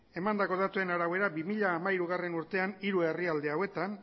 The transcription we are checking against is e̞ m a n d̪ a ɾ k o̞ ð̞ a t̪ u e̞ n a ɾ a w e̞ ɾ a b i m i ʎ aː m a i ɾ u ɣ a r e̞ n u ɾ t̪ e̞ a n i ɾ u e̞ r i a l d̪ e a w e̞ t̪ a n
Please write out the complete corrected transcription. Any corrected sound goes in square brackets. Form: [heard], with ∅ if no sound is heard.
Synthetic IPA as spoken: e̞ m a n d̪ a [∅] k o̞ ð̞ a t̪ u e̞ n a ɾ a w e̞ ɾ a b i m i ʎ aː m a i ɾ u ɣ a r e̞ n u ɾ t̪ e̞ a n i ɾ u e̞ r i a l d̪ e a w e̞ t̪ a n